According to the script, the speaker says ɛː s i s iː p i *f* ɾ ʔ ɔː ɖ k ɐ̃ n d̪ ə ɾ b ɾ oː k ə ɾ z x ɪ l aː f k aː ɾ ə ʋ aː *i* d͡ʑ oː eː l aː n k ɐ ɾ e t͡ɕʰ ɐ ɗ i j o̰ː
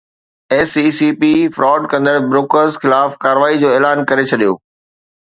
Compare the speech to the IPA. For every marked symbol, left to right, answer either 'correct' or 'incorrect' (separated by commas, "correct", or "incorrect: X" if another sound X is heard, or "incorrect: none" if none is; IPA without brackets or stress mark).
correct, correct